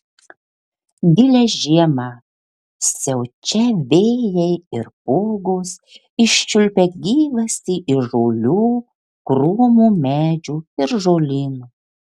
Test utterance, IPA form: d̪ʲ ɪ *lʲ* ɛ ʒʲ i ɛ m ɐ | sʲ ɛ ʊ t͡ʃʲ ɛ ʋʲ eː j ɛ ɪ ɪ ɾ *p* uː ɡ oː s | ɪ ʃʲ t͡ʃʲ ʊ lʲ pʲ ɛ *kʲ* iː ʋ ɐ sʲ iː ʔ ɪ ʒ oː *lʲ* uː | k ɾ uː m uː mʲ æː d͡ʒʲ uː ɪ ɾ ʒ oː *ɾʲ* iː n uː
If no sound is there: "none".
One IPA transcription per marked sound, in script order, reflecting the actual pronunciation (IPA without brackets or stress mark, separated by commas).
lʲ, p, ɡʲ, lʲ, lʲ